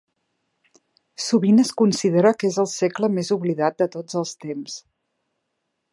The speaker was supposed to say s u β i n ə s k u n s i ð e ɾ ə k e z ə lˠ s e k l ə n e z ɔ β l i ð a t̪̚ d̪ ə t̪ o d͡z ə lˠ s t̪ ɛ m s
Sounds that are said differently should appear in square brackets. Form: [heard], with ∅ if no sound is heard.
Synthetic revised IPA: s u β i n ə s k u n s i ð e ɾ ə k e z ə lˠ s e k l ə [m] e z [u] β l i ð a t̪̚ d̪ ə t̪ o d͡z ə lˠ s t̪ [e] m s